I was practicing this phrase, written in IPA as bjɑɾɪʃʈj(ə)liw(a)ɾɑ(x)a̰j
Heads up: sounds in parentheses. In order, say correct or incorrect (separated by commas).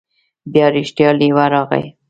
incorrect, correct, incorrect